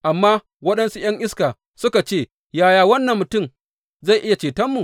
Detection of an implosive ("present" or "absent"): present